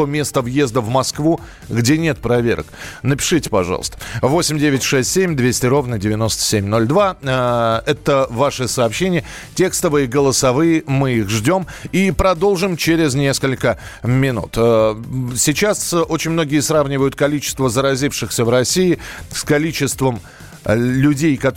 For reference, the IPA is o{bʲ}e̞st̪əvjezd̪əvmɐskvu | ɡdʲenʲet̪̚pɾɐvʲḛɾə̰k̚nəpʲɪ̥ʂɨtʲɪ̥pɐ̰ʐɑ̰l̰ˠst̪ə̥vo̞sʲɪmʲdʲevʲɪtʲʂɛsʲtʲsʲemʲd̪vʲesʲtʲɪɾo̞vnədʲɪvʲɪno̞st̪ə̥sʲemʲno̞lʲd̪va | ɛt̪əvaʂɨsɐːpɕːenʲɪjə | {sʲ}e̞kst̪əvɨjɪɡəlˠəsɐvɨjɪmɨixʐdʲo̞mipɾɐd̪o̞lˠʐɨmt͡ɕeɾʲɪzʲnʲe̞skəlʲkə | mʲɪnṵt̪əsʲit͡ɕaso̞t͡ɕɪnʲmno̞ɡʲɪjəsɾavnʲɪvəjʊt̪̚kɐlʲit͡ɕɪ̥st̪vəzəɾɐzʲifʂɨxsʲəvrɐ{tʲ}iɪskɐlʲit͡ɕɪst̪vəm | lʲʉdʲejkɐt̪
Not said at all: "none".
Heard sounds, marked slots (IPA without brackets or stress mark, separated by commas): mʲ, tʲ, sʲ